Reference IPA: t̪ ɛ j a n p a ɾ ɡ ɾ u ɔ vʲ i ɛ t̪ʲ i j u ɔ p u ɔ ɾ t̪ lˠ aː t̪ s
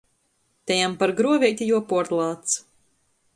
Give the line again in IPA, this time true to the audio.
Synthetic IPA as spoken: t̪ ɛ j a m p a ɾ ɡ ɾ u ɔ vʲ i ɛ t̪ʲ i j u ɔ p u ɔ ɾ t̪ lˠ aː t̪ s